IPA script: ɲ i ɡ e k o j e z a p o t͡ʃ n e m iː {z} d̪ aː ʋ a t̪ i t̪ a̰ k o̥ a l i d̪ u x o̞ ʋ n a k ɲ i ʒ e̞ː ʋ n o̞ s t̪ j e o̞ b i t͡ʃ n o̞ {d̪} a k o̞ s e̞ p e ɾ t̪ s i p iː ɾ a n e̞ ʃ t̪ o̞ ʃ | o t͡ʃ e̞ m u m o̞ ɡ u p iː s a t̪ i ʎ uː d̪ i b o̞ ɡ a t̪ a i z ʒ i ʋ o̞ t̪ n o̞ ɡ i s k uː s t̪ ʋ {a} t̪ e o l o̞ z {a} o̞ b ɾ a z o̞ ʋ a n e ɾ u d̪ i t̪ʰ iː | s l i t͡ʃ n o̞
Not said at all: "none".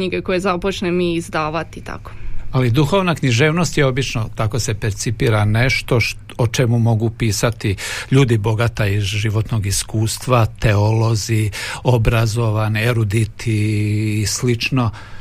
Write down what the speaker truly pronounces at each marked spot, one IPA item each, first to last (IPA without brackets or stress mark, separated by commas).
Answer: z, t̪, a, i